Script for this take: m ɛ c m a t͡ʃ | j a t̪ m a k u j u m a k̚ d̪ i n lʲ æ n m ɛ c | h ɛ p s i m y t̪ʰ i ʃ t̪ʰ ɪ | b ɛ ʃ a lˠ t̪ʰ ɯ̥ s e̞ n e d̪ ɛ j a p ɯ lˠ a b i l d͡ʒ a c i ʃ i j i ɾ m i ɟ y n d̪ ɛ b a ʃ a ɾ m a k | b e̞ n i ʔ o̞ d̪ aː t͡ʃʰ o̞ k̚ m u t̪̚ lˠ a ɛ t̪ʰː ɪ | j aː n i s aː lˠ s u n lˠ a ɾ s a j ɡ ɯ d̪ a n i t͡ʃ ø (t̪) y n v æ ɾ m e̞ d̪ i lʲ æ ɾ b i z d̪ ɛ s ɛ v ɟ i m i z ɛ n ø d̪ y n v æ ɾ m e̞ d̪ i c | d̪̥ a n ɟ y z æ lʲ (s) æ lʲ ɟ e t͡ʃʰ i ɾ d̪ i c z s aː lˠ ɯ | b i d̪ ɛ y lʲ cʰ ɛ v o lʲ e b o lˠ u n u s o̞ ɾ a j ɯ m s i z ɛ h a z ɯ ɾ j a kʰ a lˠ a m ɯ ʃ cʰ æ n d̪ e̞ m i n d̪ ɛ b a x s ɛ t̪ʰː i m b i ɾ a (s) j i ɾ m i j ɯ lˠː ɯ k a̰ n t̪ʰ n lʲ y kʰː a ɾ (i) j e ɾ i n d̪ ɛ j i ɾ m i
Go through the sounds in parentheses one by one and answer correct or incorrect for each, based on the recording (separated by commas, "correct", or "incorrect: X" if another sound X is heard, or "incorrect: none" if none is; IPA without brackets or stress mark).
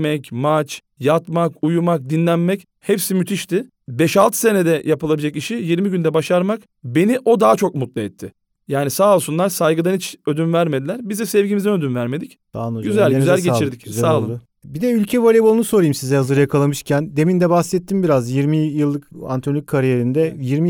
incorrect: d̪, incorrect: z, incorrect: z, correct